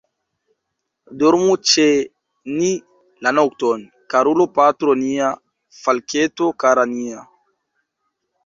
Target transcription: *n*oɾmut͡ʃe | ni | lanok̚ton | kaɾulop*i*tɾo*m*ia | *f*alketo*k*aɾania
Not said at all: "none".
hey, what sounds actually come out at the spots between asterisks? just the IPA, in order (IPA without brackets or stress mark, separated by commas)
d, a, n, f, k